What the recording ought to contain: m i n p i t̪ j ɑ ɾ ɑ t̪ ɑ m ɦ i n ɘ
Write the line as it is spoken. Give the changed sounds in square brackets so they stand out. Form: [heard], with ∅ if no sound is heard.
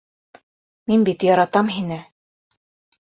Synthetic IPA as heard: m i n [b] i t̪ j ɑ ɾ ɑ t̪ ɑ m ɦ i n ɘ